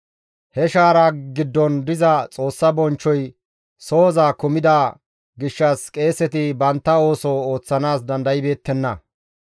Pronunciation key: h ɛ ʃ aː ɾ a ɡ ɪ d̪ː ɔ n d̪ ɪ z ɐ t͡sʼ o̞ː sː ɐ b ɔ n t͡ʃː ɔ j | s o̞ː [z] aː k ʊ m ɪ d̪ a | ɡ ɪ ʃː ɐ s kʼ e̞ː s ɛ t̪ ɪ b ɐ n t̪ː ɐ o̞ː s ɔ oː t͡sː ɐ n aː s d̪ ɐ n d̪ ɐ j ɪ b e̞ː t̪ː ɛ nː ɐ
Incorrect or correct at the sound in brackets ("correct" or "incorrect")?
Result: correct